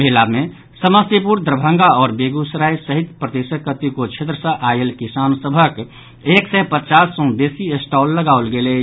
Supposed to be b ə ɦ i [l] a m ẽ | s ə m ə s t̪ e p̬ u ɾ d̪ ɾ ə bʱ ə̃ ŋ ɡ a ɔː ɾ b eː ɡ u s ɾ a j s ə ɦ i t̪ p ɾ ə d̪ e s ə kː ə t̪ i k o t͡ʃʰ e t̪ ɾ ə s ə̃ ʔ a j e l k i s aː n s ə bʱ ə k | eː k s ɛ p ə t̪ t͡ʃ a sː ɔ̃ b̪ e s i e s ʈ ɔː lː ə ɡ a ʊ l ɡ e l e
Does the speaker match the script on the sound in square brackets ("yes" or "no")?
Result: yes